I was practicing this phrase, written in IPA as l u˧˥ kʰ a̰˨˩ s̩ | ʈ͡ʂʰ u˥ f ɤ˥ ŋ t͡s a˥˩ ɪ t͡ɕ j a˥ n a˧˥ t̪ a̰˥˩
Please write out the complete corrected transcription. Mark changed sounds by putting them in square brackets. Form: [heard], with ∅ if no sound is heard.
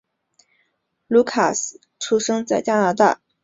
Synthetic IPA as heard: l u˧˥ kʰ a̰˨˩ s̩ | ʈ͡ʂʰ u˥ [ʂ] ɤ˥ ŋ t͡s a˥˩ ɪ t͡ɕ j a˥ n a˧˥ t̪ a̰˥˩